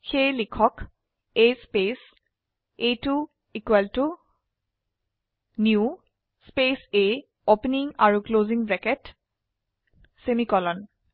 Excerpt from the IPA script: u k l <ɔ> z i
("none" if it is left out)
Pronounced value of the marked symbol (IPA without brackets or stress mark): o